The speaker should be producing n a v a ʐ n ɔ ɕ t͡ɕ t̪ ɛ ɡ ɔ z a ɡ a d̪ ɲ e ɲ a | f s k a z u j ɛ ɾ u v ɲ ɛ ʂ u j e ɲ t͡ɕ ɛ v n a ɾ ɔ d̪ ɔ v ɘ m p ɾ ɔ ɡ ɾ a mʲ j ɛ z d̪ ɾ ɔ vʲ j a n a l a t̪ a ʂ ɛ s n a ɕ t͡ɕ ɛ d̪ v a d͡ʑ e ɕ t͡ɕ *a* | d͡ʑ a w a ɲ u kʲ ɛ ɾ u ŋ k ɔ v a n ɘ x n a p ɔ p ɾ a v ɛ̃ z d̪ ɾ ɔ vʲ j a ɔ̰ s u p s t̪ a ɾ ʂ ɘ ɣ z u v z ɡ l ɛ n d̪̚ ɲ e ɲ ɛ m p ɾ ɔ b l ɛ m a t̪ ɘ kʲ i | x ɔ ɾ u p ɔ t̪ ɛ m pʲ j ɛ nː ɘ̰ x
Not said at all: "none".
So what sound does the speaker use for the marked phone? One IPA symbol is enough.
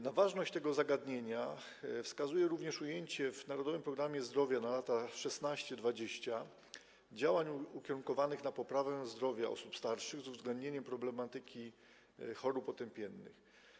a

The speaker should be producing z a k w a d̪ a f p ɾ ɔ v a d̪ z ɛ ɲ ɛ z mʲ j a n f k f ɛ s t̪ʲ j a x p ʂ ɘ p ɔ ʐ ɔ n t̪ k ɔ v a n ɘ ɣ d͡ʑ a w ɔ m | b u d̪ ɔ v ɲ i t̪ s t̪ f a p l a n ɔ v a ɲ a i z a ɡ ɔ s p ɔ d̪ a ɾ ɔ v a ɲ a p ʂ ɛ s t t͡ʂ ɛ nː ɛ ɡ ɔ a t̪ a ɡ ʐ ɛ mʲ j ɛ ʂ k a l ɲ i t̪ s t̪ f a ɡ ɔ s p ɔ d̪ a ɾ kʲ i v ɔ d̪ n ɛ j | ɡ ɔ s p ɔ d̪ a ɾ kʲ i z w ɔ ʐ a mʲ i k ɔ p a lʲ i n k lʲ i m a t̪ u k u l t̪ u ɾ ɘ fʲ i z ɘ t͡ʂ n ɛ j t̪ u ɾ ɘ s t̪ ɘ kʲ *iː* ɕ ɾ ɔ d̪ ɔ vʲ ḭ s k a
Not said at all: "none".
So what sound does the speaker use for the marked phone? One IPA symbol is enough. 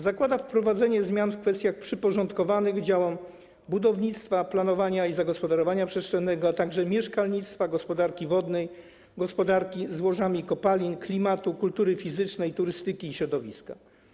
iː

